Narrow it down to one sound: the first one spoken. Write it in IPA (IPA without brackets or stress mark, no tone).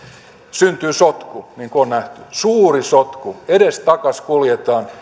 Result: s